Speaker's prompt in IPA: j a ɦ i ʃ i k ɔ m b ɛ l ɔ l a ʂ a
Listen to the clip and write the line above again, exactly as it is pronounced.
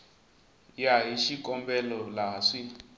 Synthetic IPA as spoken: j a ɦ i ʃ i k ɔ m b ɛ l ɔ l a ʂ i